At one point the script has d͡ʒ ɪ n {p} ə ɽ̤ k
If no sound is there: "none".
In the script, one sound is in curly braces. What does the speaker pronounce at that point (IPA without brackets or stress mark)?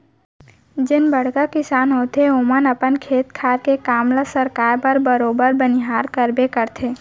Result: b